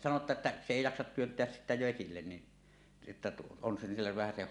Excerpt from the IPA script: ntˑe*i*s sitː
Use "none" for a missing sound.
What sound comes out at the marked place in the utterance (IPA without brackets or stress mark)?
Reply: æ